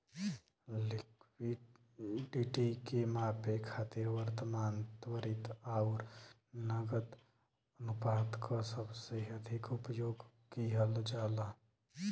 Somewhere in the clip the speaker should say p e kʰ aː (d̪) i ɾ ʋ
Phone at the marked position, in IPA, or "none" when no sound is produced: t̪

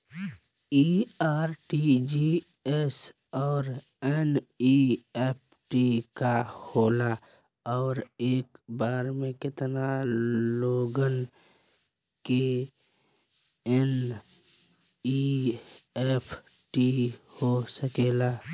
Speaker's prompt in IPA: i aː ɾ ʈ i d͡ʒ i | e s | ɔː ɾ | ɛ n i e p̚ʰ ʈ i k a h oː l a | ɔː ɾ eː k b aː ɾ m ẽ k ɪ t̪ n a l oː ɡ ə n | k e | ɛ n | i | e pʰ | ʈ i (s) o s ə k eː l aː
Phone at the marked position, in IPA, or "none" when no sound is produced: h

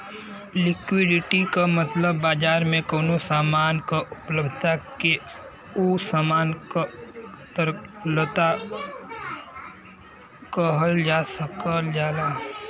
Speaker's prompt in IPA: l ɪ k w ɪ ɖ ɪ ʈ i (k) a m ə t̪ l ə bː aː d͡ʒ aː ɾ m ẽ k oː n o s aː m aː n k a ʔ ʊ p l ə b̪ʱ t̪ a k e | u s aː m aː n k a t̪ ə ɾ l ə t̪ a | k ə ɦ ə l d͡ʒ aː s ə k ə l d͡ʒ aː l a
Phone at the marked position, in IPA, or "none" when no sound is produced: k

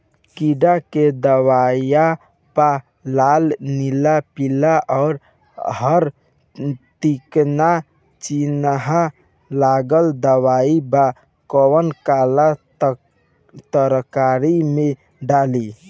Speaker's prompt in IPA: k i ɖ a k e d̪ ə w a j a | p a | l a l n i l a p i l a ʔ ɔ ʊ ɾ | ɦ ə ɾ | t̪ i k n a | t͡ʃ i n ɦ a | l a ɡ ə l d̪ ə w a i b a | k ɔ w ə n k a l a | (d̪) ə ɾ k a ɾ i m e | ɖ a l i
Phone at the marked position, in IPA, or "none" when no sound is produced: t̪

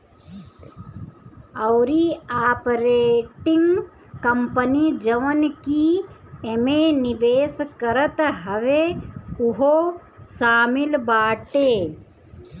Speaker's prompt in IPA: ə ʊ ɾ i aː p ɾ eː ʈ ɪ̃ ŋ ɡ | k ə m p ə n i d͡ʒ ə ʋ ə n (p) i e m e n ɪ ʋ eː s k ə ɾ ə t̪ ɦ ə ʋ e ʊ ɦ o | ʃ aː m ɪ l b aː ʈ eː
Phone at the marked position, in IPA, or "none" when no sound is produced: k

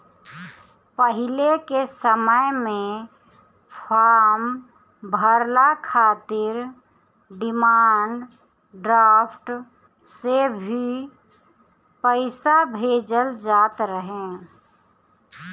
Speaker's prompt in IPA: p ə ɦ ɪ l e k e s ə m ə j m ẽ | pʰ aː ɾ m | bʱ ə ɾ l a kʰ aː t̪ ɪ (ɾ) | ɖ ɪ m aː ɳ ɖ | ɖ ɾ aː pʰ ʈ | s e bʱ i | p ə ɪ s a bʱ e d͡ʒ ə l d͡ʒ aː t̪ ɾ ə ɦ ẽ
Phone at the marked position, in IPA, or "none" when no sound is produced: ɾ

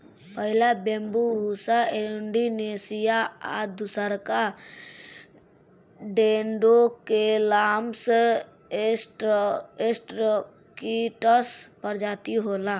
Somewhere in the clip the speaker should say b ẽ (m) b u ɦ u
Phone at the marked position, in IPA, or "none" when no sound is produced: m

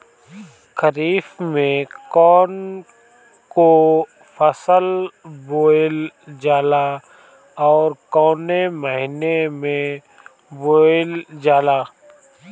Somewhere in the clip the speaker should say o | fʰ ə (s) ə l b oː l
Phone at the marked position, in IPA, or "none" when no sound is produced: s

